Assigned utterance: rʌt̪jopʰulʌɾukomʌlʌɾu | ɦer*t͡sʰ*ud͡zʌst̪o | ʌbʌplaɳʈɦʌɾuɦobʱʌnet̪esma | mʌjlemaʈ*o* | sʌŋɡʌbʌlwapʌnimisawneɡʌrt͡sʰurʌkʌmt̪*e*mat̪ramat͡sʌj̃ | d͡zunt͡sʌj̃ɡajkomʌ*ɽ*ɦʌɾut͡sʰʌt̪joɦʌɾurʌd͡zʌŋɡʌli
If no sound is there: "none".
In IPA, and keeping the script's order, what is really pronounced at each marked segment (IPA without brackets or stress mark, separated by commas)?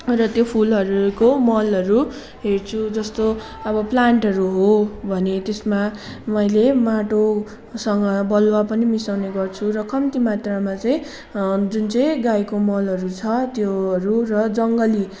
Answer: t͡sʰ, o, i, l